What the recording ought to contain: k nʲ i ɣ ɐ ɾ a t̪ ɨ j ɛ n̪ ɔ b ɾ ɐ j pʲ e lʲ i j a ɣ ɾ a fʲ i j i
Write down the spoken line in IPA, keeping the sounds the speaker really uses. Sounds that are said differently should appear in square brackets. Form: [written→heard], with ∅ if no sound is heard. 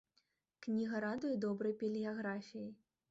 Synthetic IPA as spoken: k nʲ i ɣ ɐ ɾ a [t̪→d̪] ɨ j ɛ [n̪→d̪] ɔ b ɾ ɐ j pʲ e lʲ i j a ɣ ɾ a fʲ i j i